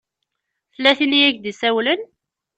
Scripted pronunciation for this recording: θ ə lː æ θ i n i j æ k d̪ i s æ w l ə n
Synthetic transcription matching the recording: θ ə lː æ θ i n i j æ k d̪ i s æ w l ə n